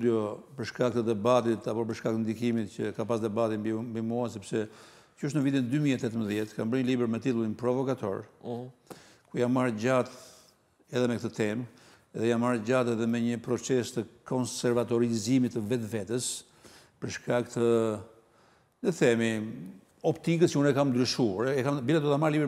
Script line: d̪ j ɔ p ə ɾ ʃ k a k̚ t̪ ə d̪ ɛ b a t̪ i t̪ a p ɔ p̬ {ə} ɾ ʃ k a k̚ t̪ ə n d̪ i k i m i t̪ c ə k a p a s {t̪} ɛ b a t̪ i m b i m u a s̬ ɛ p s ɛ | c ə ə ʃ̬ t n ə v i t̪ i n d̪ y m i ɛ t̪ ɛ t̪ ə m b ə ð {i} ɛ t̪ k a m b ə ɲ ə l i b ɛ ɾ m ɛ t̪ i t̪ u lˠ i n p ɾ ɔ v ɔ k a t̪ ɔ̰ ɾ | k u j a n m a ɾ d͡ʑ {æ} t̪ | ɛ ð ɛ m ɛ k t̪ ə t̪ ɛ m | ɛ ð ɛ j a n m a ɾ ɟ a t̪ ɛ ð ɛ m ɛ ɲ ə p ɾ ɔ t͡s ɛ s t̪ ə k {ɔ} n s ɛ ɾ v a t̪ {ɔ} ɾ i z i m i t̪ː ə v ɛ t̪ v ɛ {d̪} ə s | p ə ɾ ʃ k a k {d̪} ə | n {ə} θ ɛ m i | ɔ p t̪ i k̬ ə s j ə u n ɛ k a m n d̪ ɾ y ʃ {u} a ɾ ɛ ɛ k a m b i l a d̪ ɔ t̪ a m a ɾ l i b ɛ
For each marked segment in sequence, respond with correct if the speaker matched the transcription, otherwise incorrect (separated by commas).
correct, incorrect, incorrect, incorrect, correct, correct, incorrect, incorrect, correct, correct